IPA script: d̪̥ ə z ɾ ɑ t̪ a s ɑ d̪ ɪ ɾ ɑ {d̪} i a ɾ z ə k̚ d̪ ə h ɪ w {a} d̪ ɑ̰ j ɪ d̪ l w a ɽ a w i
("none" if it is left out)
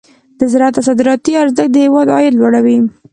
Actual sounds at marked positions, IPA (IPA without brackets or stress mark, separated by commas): t̪, ɑ